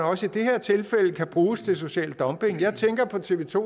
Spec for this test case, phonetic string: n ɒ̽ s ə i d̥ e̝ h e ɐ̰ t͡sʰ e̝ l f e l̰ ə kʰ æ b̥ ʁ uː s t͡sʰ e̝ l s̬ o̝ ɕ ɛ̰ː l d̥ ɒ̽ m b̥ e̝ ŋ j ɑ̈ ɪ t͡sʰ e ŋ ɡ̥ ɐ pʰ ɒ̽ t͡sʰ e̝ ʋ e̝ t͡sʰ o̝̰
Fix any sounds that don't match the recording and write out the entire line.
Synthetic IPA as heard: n ɒ̽ s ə i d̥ e̝ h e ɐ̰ t͡sʰ e̝ l f e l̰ ə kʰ æ b̥ ʁ uː s t͡sʰ e̝ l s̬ o̝ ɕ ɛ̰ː l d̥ ɒ̽ m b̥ e̝ ŋ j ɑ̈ ɪ t͡sʰ e ŋ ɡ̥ ɐ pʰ ɒ̽ t͡sʰ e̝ ʋ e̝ t͡sʰ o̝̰